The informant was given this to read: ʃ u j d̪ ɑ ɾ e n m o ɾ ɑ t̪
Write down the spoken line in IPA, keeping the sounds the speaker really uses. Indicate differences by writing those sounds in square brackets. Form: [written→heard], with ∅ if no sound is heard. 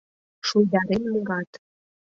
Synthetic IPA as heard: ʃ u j d̪ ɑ ɾ e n m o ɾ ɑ t̪